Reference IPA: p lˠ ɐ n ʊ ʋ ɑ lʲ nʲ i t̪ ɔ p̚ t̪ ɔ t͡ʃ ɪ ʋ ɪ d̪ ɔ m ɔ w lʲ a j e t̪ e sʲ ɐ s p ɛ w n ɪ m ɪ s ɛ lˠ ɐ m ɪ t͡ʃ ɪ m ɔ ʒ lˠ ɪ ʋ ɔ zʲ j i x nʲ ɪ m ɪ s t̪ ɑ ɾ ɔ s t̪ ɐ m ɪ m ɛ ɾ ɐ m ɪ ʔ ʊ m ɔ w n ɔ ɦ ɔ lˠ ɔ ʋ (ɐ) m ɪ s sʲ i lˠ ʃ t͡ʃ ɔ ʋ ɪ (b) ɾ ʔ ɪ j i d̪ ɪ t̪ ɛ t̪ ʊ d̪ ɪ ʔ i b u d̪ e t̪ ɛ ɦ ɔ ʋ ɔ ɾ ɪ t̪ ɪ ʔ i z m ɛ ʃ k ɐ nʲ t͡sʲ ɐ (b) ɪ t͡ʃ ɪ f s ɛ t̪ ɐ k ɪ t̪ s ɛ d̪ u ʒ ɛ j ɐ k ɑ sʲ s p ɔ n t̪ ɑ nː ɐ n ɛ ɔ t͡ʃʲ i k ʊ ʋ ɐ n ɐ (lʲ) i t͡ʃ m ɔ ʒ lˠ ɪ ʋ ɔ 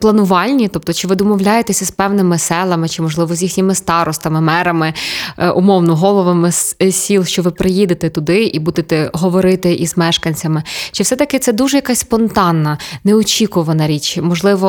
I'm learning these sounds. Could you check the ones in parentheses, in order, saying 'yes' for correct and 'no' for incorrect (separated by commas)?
yes, no, no, no